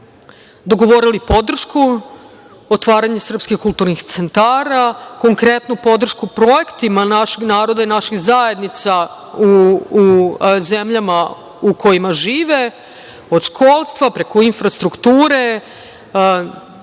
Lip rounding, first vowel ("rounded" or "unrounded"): rounded